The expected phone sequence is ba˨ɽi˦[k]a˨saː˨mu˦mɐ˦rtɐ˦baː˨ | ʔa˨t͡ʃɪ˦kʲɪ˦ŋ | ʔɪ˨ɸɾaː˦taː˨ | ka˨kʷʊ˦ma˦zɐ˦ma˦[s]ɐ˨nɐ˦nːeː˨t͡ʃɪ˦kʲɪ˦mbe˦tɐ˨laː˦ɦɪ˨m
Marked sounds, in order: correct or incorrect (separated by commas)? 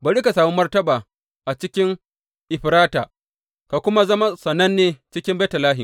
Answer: correct, correct